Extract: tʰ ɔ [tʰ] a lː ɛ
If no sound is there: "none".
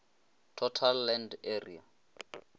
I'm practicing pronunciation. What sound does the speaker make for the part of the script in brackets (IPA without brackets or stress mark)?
tʰ